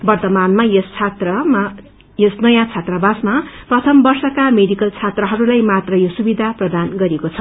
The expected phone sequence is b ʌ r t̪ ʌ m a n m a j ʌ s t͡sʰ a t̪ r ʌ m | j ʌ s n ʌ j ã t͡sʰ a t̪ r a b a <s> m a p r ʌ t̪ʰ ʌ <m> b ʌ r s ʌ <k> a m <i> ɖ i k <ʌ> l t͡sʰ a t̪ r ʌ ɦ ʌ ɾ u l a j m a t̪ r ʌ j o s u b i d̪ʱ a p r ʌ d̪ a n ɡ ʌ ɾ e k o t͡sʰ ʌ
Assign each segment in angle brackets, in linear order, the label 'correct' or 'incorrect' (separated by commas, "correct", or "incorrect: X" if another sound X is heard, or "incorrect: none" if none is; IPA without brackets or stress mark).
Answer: correct, correct, correct, incorrect: e, correct